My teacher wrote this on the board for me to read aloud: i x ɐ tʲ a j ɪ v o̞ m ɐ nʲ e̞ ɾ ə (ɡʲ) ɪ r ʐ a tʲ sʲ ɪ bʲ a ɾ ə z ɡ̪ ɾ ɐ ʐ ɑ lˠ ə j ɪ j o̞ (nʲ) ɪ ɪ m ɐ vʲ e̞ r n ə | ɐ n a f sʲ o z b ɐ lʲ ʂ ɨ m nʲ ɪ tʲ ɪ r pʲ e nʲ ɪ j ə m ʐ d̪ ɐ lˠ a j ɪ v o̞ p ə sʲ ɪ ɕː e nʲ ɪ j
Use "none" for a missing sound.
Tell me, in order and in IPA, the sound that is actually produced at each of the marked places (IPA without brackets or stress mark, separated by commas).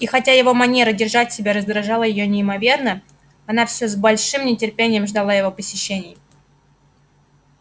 dʲ, nʲ